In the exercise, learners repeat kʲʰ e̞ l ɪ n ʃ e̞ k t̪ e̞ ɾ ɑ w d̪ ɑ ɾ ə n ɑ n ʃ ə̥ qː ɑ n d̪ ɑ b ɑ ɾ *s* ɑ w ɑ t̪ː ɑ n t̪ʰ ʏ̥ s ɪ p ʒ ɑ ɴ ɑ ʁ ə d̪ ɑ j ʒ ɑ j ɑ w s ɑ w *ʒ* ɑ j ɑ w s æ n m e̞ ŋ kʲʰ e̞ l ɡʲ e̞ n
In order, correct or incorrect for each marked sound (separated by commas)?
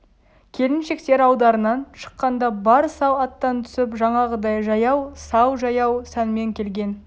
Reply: correct, correct